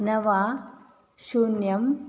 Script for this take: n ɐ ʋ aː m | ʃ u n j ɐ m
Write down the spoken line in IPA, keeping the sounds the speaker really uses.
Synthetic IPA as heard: n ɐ ʋ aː | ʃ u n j ɐ m